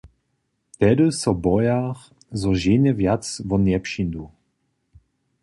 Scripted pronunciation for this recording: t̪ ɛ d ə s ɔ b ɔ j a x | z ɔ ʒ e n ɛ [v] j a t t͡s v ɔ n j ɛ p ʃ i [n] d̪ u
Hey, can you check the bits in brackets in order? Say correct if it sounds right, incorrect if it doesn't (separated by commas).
correct, correct